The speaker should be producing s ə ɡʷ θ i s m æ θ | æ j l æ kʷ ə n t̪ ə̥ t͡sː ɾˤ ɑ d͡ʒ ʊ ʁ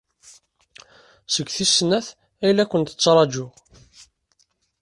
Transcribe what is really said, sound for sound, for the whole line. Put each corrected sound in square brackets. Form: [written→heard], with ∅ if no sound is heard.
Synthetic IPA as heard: s ə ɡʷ θ i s [m→n] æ θ | æ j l æ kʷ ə n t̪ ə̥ t͡sː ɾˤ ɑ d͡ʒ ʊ ʁ